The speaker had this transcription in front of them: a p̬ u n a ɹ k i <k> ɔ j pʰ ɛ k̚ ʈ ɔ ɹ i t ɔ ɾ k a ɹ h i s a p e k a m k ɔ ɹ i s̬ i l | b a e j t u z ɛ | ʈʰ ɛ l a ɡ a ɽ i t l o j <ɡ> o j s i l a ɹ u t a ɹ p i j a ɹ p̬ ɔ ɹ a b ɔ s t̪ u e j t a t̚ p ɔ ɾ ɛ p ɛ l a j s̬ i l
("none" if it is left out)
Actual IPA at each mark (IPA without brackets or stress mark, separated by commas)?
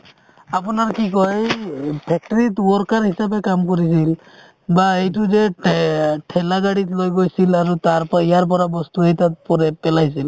k, ɡ